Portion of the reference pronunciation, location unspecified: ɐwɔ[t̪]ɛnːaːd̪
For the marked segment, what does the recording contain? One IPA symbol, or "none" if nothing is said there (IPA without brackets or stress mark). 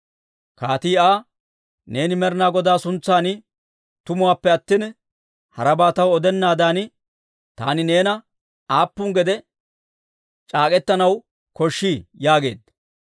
d̪